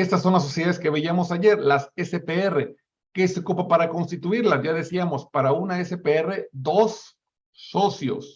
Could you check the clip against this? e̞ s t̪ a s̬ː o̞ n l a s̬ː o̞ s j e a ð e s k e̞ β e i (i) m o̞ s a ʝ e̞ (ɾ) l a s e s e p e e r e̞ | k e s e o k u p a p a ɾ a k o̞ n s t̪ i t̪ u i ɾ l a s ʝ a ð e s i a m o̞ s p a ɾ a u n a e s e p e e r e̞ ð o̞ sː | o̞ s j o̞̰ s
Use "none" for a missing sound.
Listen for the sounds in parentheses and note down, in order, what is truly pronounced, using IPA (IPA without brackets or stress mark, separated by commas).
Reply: a, ɾ